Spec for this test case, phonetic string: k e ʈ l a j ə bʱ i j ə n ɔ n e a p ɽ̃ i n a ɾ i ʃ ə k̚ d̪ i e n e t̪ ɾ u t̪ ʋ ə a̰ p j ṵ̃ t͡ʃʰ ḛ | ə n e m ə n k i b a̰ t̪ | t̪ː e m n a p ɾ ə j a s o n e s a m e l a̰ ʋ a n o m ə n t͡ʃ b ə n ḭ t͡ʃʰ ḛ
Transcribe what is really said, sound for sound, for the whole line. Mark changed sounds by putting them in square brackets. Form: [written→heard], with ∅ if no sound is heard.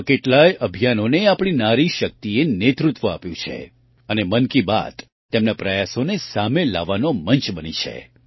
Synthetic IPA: k e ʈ l a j ə bʱ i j [ə→a] n [ɔ→o] n e a p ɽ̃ i n a ɾ i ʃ ə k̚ [d̪→t̪] i e n e t̪ ɾ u t̪ ʋ ə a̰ p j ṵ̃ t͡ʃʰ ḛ | ə n e m ə n k i b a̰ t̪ | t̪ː e m n a p ɾ ə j a s o n e s a m e l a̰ ʋ a n o m ə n t͡ʃ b ə n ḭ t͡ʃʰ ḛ